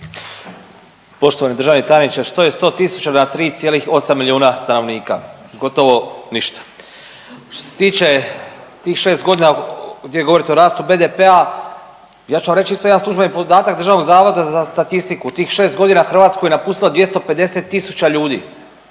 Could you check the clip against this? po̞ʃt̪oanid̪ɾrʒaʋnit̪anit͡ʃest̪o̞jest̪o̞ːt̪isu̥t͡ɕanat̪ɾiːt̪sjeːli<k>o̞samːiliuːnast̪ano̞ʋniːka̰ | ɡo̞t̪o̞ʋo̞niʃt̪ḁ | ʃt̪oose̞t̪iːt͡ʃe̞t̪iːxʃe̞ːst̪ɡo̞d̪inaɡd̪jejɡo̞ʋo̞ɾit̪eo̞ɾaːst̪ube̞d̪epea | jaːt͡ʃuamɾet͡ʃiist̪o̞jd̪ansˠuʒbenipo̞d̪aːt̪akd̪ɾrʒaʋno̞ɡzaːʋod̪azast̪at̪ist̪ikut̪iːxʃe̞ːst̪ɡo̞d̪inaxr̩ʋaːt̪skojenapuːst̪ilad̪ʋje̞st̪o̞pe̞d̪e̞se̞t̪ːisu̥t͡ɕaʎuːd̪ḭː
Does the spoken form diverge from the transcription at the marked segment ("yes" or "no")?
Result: yes